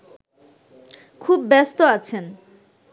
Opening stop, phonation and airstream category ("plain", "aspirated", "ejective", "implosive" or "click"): aspirated